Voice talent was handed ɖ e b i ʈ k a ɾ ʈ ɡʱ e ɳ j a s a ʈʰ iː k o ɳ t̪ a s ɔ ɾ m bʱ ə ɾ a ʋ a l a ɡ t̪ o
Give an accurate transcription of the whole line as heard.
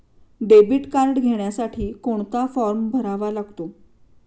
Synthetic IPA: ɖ e b i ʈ k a ɾ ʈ ɡʱ e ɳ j a s a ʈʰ iː k o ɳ t̪ a f ɔ ɾ m bʱ ə ɾ a ʋ a l a ɡ t̪ o